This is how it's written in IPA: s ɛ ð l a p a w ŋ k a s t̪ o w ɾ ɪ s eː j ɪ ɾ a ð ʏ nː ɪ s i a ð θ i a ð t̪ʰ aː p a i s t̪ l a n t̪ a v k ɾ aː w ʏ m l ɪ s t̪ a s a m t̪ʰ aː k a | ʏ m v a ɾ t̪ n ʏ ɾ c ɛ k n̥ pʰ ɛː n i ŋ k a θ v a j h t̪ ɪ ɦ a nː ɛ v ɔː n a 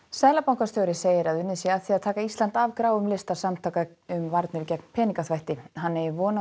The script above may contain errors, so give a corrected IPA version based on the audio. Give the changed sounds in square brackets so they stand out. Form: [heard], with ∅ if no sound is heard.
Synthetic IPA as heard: s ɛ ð l a p a w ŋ k a s t̪ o w ɾ ɪ s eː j ɪ ɾ a ð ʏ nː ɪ s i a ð θ i a ð t̪ʰ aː [k] a i s t̪ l a n t̪ a v k ɾ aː w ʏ m l ɪ s t̪ a s a m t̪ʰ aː k a | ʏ m v a ɾ t̪ n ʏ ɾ c ɛ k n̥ pʰ ɛː n i ŋ k a θ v a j h t̪ ɪ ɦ a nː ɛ v ɔː n a